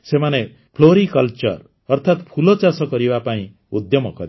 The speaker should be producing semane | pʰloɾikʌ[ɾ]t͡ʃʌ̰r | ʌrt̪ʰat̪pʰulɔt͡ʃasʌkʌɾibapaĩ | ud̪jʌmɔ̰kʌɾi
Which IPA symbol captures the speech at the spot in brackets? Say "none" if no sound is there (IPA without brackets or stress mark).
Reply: l